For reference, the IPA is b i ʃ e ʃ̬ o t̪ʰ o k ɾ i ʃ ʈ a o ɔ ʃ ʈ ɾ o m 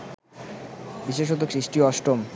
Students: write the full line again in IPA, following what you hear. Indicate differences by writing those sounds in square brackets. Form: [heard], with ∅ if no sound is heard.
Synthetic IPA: b i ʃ e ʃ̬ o [t̪] o k ɾ i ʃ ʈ [i] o ɔ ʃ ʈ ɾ o m